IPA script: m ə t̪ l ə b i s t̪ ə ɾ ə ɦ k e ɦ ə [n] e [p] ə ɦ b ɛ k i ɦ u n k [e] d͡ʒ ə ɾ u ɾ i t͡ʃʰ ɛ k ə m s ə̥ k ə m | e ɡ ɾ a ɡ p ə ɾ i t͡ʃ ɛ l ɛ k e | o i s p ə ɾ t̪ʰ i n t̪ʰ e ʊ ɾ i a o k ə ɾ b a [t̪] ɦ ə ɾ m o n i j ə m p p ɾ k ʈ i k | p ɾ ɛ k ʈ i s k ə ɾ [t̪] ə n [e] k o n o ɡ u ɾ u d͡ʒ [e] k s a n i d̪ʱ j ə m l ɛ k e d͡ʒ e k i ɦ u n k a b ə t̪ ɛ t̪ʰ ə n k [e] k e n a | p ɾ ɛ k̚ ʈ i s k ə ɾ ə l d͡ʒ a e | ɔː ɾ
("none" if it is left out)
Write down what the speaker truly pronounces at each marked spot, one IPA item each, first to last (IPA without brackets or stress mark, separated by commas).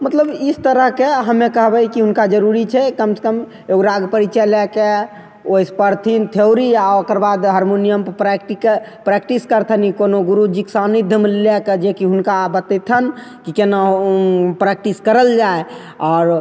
m, k, a, d̪, t̪ʰ, i, i, i